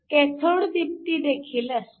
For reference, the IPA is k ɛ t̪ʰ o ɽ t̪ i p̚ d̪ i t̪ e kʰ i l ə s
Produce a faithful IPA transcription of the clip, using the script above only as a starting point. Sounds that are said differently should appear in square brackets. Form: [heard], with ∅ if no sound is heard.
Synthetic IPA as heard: k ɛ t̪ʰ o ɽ [d̪] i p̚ [t̪] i [d̪] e kʰ i l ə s